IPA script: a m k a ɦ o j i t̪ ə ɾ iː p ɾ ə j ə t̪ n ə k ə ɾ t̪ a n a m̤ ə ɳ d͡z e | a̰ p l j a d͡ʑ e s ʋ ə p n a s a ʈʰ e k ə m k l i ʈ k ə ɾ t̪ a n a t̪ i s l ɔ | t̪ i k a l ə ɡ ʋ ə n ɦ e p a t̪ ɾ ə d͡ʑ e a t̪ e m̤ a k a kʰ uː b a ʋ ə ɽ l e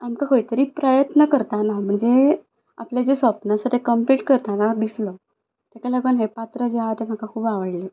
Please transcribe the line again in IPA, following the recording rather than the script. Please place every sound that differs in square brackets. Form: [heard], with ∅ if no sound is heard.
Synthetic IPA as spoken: a m k a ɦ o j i t̪ ə ɾ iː p ɾ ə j ə t̪ n ə k ə ɾ t̪ a n a m̤ ə ɳ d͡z e | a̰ p l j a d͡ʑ e s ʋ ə p n a s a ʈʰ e k ə m [p] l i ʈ k ə ɾ t̪ a n a [d̪] i s l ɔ | t̪ [a] k a l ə ɡ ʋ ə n ɦ e p a t̪ ɾ ə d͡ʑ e a t̪ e m̤ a k a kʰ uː b a ʋ ə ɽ l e